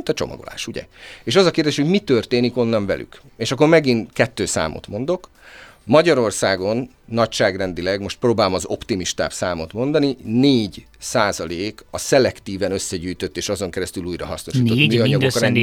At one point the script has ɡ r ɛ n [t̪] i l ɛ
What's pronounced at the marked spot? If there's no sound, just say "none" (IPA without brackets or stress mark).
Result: d̪